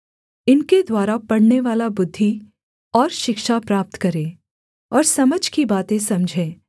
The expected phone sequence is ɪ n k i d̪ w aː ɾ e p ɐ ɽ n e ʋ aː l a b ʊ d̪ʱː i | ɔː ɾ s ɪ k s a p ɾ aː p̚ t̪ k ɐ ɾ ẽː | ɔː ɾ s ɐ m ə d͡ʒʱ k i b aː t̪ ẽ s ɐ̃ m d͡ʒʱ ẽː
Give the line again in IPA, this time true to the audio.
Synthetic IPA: ɪ n k e d̪ w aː ɾ a p ɐ ɽ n e ʋ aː l a b ʊ d̪ʱː i | ɔː ɾ ʃ ɪ k ʃ a p ɾ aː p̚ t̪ k ɐ ɾ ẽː | ɔː ɾ s ɐ m ə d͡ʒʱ k i b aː t̪ ẽ s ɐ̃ m d͡ʒʱ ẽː